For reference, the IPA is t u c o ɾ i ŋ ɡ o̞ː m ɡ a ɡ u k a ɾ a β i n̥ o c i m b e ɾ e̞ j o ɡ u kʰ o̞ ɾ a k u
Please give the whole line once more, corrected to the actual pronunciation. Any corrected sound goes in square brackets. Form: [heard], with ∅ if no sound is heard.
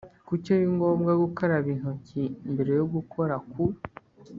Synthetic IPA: [k] u c o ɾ i ŋ ɡ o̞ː m ɡ a ɡ u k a ɾ a β i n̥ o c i m b e ɾ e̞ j o ɡ u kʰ o̞ ɾ a k u